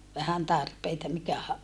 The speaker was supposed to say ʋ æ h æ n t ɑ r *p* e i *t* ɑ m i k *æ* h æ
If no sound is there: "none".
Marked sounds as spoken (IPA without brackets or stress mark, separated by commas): p, t, æ